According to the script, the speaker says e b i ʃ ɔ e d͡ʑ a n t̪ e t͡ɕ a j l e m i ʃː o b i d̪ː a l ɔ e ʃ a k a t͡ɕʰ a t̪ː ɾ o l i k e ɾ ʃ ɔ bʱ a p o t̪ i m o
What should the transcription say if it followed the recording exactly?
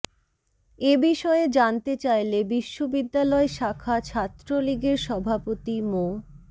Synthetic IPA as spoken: e b i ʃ ɔ e d͡ʑ a n t̪ e t͡ɕ a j l e b i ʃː o b i d̪ː a l ɔ e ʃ a kʰ a t͡ɕʰ a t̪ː ɾ o l i ɡ e ɾ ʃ ɔ bʱ a p o t̪ i m o